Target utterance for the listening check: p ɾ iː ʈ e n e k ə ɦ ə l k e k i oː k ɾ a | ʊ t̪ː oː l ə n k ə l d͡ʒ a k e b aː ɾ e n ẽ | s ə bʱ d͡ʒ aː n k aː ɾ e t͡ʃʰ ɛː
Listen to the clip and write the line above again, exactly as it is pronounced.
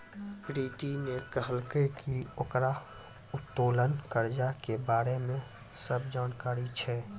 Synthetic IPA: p ɾ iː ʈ i n e k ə ɦ ə l k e k i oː k ɾ a | ʊ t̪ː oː l ə n k ə ɾ d͡ʒ a k e b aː ɾ e m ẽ | s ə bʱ d͡ʒ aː n k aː ɾ i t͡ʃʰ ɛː

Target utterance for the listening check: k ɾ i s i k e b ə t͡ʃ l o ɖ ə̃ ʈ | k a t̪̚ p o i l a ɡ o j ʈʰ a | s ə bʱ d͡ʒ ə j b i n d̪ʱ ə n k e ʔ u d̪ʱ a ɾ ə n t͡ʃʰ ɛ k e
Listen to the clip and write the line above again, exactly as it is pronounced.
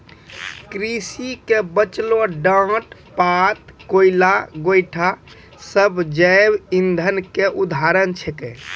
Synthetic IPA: k ɾ i s i k e b ə t͡ʃ l o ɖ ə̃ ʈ | p a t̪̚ k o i l a ɡ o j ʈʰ a | s ə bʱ d͡ʒ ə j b i n d̪ʱ ə n k e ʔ u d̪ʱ a ɾ ə n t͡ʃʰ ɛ k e

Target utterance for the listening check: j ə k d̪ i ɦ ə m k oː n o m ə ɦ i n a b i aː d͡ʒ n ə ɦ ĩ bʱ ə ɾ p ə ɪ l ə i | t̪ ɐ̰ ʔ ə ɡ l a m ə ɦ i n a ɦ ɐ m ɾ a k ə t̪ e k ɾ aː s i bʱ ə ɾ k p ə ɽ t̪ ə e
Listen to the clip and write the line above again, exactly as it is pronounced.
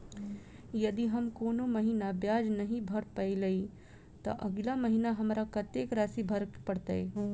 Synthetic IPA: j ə d̪ i ɦ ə m k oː n o m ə ɦ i n a b j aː d͡ʒ n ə ɦ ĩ bʱ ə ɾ p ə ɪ l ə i | t̪ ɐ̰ ʔ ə ɡ l a m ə ɦ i n a ɦ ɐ m ɾ a k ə t̪ e k ɾ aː s i bʱ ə ɾ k p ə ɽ t̪ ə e

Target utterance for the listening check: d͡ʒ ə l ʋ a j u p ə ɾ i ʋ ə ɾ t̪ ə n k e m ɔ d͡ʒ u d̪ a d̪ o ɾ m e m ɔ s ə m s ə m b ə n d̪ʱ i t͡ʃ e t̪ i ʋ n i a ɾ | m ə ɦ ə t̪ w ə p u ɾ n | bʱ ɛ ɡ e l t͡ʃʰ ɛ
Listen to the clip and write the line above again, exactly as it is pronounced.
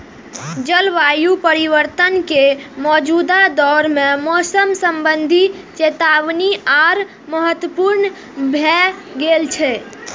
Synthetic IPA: d͡ʒ ə l ʋ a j u p ə ɾ i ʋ ə ɾ t̪ ə n k e m ɔ d͡ʒ u d̪ a d̪ ɔ ɾ m e m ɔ s ə m s ə m b ə n d̪ʱ i t͡ʃ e t̪ a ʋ n i a ɾ | m ə ɦ ə t̪ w ə p u ɾ n | bʱ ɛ ɡ e l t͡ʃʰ ɛ

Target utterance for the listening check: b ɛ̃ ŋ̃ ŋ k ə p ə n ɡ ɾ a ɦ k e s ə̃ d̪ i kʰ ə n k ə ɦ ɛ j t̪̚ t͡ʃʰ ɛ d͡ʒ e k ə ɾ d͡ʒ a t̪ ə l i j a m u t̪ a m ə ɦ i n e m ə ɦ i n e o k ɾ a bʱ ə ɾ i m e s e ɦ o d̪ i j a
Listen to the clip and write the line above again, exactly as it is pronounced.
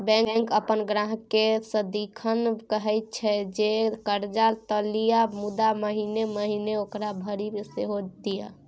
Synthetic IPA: b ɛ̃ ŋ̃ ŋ k ə p ə n ɡ ɾ a ɦ k e s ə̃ d̪ i kʰ ə n k ə ɦ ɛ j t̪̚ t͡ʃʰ ɛ d͡ʒ e k ə ɾ d͡ʒ a t̪ ə l i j a m u d̪ a m ə ɦ i n e m ə ɦ i n e o k ɾ a bʱ ə ɾ i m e s e ɦ o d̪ i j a

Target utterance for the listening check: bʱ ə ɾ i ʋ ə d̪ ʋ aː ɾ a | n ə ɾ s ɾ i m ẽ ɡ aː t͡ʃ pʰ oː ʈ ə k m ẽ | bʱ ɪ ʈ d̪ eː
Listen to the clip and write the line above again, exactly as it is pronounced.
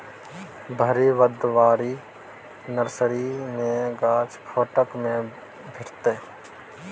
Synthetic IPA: bʱ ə ɾ i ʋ ə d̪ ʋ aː ɾ i | n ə ɾ s ɾ i m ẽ ɡ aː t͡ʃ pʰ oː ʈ ə k m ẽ | bʱ ɪ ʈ t̪ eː

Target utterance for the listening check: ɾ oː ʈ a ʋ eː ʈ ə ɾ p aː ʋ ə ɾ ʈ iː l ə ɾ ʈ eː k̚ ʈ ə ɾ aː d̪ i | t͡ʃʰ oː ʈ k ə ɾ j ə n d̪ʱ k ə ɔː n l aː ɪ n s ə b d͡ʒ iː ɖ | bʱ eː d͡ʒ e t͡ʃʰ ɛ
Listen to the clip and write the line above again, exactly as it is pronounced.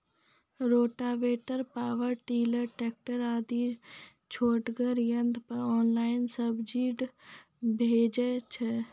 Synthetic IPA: ɾ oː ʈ a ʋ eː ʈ ə ɾ p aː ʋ ə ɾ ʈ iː l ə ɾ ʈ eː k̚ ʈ ə ɾ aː d̪ i | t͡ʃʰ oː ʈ ɡ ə ɾ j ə n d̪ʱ p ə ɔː n l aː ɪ n s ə b d͡ʒ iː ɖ | bʱ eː d͡ʒ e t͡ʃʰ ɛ

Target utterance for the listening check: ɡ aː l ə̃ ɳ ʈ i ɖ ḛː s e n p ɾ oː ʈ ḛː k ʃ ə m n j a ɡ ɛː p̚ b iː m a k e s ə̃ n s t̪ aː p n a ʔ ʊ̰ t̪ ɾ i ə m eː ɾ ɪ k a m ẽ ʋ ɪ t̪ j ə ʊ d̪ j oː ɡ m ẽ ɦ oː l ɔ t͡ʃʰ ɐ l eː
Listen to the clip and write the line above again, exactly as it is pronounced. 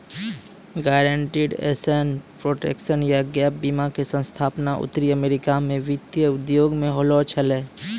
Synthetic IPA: ɡ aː ɾ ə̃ ɳ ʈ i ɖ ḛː s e n p ɾ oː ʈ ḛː k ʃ ə n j a ɡ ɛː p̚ b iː m a k e s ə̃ n s t̪ʰ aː p n a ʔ ʊ̰ t̪ ɾ i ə m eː ɾ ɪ k a m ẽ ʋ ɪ t̪ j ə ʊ d̪ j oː ɡ m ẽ ɦ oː l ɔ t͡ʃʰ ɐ l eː

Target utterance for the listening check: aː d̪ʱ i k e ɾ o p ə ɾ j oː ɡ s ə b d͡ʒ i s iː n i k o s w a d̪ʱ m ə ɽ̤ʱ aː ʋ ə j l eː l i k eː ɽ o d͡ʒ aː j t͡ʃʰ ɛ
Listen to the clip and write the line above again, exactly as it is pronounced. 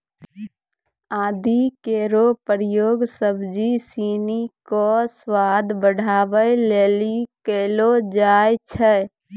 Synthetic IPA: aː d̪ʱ i k e ɾ o p ə ɾ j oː ɡ s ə b d͡ʒ i s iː n i k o s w a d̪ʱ b ə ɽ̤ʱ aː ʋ ə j l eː l i k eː l o d͡ʒ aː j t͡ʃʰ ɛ

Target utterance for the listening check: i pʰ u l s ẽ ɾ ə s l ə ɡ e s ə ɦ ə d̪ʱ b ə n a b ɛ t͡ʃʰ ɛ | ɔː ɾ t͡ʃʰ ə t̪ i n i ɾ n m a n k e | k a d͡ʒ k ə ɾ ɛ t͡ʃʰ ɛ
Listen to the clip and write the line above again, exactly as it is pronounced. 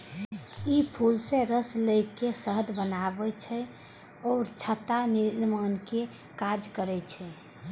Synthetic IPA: i pʰ u l s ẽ ɾ ə s l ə k e s ə ɦ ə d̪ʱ b ə n a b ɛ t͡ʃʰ ɛ | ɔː ɾ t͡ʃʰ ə t̪ a n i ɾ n m a n k e | k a d͡ʒ k ə ɾ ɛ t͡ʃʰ ɛ

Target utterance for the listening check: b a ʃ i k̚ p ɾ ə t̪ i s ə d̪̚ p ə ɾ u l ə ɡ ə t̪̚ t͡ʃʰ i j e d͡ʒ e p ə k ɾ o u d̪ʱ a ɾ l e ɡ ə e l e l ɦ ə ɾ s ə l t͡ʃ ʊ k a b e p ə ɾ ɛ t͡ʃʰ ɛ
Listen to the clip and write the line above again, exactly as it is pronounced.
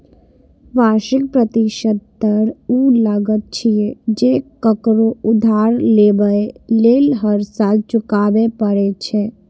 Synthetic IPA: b a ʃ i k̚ p ɾ ə t̪ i ʃ ə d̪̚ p ə ɾ u l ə ɡ ə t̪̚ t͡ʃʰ i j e d͡ʒ e k ə k ɾ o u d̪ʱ a ɾ l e b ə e l e l ɦ ə ɾ s a l t͡ʃ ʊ k a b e p ə ɾ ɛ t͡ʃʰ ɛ

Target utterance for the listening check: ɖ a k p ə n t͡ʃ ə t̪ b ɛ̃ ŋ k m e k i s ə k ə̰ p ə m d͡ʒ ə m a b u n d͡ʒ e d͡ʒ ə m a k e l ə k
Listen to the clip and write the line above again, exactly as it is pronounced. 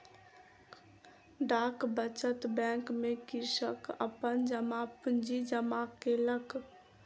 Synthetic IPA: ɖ a k b ə t͡ʃ ə t̪ b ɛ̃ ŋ k m e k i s ə k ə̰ p ə n d͡ʒ ə m a p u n d͡ʒ i d͡ʒ ə m a k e l ə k

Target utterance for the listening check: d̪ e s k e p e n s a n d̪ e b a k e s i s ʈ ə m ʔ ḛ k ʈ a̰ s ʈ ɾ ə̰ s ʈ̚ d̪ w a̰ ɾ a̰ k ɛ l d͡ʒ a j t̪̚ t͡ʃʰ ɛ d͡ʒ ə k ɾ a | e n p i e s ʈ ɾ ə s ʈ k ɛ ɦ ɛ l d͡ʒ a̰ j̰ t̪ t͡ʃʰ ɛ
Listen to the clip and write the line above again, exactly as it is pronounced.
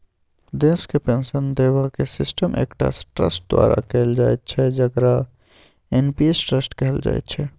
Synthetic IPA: d̪ e s k e p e n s ə n d̪ e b a k e s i s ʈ ə m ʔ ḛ k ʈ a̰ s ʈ ɾ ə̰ s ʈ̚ d̪ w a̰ ɾ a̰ k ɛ l d͡ʒ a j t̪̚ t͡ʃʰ ɛ d͡ʒ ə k ɾ a | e n p i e s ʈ ɾ ə s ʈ k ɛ ɦ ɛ l d͡ʒ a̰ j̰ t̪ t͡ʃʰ ɛ

